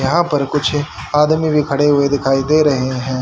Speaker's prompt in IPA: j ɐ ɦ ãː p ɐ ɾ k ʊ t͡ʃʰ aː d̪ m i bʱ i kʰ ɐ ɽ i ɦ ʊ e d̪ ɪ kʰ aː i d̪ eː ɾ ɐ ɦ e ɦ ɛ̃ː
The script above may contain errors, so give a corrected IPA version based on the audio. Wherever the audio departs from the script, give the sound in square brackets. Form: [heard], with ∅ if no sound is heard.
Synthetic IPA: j ɐ ɦ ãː p ɐ ɾ k ʊ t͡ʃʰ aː d̪ m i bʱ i kʰ ɐ ɽ [e] ɦ ʊ e d̪ ɪ kʰ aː i d̪ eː ɾ ɐ ɦ e ɦ ɛ̃ː